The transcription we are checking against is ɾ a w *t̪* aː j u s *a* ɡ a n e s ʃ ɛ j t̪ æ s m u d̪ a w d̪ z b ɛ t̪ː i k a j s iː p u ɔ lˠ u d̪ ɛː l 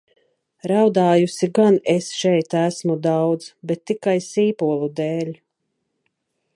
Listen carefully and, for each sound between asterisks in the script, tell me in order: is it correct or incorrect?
incorrect, incorrect

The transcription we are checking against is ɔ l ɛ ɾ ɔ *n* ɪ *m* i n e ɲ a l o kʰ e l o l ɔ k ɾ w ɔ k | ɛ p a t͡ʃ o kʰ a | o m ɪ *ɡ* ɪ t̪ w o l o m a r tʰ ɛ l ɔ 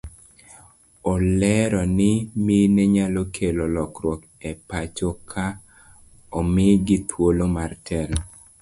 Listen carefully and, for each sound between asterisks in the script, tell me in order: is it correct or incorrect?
correct, correct, correct

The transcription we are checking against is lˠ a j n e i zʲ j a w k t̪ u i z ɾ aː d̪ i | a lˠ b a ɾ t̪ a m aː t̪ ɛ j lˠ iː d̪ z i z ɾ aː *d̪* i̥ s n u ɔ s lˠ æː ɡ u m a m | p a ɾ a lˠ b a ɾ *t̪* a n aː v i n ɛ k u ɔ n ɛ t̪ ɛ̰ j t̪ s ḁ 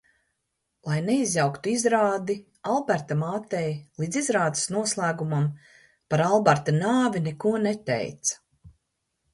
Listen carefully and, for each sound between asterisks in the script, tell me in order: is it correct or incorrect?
correct, correct

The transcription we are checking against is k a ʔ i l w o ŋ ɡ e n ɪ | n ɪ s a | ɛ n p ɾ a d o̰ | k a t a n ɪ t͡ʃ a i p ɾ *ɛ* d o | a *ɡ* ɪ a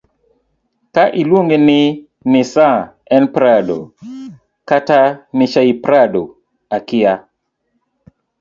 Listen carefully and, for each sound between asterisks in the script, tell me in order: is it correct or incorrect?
incorrect, incorrect

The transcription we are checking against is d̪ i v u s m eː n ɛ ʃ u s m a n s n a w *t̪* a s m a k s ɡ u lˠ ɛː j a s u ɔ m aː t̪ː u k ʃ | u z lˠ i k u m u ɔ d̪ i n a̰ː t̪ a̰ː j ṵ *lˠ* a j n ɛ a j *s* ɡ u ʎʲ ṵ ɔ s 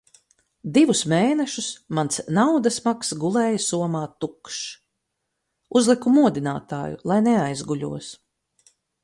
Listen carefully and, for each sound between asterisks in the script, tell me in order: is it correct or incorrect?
incorrect, correct, incorrect

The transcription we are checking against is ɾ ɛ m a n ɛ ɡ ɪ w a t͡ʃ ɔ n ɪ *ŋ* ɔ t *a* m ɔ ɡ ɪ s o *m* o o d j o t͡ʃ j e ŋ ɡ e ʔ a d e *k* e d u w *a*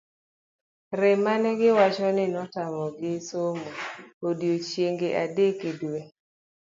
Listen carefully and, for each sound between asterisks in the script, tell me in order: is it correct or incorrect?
incorrect, correct, correct, correct, incorrect

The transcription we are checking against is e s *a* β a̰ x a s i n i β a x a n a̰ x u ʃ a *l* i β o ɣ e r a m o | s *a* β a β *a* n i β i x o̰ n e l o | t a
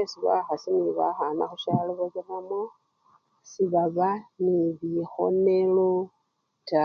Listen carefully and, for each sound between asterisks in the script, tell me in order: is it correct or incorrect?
incorrect, correct, incorrect, correct

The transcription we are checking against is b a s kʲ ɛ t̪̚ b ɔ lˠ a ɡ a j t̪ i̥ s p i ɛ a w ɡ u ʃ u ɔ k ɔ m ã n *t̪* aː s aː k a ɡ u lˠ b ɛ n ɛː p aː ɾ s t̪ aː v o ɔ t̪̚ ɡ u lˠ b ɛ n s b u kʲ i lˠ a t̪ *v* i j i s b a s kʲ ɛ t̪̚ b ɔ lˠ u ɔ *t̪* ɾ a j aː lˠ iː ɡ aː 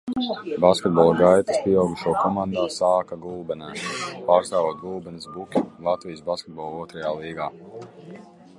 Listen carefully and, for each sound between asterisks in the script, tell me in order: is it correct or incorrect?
incorrect, correct, correct

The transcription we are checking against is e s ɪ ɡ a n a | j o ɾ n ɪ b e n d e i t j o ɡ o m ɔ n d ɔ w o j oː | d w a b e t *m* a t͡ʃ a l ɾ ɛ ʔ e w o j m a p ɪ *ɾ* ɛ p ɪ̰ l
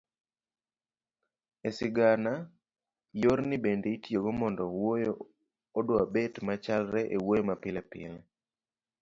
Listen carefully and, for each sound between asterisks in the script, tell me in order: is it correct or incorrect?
correct, incorrect

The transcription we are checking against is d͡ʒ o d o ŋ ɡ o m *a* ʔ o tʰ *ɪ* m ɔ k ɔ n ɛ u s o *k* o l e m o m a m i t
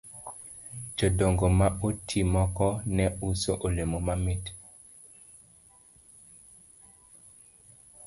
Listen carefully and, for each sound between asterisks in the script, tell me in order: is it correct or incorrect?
correct, incorrect, incorrect

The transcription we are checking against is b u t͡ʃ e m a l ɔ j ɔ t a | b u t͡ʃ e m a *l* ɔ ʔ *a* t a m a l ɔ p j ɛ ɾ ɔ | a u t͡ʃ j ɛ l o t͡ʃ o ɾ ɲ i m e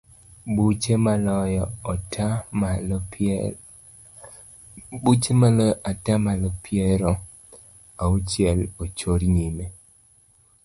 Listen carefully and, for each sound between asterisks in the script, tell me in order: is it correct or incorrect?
correct, correct

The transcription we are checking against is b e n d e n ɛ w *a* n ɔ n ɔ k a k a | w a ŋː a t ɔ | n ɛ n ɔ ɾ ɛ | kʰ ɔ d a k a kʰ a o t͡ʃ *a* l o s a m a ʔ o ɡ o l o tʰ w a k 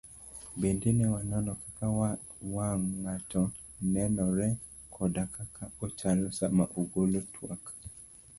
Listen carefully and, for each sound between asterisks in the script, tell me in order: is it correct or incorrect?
correct, correct

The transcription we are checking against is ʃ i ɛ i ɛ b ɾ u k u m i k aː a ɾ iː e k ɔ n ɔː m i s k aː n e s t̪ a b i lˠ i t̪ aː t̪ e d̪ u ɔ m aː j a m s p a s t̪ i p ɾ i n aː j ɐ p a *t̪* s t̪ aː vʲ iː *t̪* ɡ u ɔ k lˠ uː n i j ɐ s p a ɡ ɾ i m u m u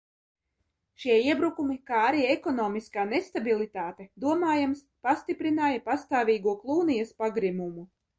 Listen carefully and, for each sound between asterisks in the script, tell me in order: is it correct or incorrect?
incorrect, incorrect

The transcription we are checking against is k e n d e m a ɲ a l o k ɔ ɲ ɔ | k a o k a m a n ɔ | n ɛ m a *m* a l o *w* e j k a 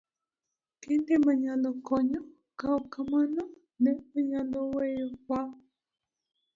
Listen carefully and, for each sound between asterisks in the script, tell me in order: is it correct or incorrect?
incorrect, correct

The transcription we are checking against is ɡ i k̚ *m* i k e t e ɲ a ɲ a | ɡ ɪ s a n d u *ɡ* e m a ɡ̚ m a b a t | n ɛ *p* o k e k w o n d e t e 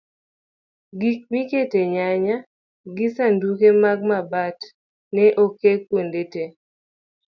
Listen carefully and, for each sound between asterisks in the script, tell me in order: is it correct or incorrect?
correct, incorrect, incorrect

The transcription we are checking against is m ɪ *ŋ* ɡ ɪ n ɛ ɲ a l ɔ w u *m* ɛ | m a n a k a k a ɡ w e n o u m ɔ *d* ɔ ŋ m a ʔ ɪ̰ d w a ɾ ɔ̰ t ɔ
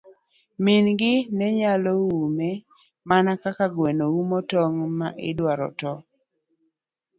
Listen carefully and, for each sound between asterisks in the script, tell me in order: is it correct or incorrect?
incorrect, correct, incorrect

